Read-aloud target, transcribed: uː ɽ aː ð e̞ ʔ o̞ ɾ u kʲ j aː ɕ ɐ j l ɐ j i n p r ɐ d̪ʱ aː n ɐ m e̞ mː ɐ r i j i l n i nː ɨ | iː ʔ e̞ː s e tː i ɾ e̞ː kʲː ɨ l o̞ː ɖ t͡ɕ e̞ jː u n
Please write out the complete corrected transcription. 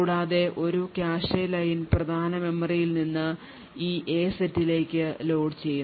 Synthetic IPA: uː ɽ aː ð e̞ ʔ o̞ ɾ u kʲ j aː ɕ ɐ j l ɐ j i n p r ɐ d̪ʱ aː n ɐ m e̞ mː ɐ r i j i l n i nː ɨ | iː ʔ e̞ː s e tː i l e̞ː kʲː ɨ l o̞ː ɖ t͡ɕ e̞ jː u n